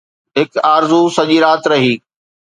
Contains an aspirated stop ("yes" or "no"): no